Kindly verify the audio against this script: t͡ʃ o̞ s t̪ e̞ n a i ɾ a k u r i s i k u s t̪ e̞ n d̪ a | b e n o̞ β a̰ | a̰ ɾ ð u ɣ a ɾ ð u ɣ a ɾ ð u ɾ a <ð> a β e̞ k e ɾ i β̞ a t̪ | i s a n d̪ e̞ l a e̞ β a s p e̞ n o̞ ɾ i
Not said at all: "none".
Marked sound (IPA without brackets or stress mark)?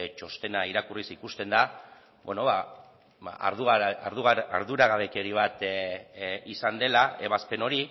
ɣ